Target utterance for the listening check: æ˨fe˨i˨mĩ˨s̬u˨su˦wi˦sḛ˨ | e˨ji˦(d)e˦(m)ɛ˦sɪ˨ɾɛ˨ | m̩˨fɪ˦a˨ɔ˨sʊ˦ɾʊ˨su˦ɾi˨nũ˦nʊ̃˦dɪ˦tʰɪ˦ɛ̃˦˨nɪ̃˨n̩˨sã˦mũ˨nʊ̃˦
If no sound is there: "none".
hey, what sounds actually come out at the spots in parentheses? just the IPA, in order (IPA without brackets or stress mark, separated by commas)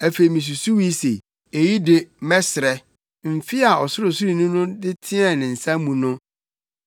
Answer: d, m